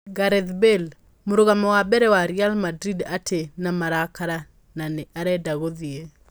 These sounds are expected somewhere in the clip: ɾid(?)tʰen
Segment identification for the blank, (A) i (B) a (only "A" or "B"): B